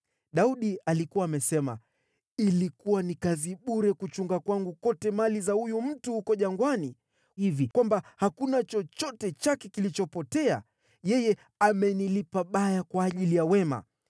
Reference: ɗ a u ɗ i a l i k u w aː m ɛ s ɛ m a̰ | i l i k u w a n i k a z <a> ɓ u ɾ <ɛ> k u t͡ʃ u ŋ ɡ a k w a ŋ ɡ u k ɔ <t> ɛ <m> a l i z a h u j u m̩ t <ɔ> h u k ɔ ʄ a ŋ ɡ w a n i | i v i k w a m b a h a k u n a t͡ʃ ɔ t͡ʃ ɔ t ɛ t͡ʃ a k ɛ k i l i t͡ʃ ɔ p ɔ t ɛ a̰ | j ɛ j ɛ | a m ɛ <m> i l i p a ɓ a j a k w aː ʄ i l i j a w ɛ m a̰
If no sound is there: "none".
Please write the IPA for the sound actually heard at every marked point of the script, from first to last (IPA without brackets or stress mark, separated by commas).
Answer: i, ɛ, t, m, u, n